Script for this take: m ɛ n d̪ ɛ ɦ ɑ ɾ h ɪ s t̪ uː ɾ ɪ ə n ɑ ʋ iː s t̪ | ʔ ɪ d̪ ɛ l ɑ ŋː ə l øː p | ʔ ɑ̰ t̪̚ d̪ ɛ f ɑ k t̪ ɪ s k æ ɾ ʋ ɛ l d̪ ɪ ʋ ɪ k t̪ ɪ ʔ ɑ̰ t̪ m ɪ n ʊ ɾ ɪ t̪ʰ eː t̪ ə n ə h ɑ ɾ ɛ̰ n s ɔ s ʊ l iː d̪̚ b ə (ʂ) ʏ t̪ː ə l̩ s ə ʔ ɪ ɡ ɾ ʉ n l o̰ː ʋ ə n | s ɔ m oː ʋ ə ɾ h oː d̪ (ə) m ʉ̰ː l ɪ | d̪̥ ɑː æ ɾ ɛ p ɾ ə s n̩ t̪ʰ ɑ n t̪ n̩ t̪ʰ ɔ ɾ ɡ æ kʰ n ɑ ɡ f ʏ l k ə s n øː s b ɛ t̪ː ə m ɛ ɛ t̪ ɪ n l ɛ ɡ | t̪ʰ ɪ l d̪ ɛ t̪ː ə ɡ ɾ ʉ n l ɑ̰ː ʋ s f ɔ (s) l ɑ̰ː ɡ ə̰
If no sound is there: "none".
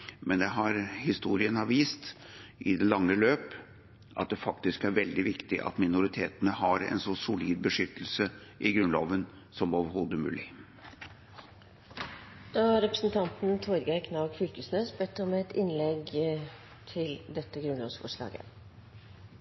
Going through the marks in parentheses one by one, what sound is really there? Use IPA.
ʂ, ə, ʂ

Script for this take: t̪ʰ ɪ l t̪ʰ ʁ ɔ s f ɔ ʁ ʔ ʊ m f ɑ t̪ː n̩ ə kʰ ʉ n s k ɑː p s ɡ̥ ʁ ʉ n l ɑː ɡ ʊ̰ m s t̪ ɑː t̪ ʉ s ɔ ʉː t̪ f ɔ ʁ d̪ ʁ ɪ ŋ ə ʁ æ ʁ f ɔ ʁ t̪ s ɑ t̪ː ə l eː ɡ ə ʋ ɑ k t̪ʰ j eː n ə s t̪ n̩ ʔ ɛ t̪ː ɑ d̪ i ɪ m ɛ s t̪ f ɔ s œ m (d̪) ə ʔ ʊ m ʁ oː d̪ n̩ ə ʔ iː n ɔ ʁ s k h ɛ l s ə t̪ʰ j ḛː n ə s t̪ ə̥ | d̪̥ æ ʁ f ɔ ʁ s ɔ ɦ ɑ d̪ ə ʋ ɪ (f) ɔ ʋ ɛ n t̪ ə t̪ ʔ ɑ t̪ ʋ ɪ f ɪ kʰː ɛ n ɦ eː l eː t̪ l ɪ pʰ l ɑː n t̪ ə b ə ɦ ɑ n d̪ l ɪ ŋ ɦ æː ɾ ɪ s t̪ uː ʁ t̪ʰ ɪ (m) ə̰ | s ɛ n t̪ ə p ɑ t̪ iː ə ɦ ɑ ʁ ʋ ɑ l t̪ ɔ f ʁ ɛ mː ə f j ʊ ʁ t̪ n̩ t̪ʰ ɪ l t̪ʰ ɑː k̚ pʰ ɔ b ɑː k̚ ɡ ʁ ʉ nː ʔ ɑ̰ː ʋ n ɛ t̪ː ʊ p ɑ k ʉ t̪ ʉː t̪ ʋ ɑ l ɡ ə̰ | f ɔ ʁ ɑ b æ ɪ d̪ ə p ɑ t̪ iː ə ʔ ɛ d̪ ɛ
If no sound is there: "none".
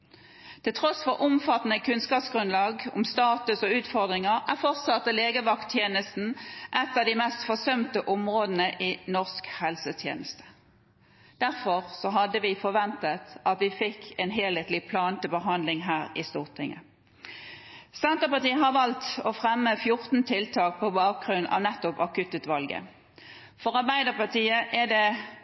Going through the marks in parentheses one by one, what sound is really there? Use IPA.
t̪, f, ŋ

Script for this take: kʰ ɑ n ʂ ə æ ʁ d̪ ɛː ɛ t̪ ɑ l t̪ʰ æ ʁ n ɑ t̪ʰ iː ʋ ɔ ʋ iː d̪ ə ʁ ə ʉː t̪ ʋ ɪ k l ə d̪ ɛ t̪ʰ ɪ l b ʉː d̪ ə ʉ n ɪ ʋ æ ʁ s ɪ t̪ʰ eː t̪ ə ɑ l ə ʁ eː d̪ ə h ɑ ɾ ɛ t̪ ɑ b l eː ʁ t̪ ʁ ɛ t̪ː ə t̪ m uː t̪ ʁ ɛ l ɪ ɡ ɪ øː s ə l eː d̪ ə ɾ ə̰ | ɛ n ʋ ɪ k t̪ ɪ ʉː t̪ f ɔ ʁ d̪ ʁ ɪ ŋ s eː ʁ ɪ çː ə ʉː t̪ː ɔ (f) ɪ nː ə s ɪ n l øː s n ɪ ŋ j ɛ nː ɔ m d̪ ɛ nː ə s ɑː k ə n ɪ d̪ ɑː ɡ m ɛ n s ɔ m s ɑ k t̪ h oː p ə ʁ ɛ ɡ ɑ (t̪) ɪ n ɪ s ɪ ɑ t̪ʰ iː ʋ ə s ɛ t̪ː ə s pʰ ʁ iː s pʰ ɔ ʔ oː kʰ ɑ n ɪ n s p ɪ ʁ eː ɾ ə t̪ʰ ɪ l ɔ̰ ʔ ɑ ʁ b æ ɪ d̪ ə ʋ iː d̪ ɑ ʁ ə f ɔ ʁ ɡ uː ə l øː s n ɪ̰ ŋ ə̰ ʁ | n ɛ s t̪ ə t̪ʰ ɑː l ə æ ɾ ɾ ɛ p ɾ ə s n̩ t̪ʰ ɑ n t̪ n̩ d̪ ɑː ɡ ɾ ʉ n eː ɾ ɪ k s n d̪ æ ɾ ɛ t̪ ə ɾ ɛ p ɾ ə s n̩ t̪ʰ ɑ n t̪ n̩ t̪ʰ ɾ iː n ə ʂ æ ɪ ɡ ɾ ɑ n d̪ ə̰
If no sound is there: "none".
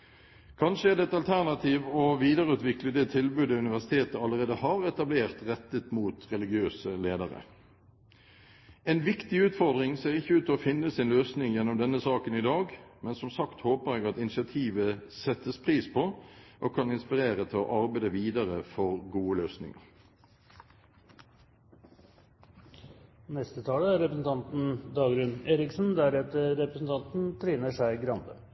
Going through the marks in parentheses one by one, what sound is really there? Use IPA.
f, t̪

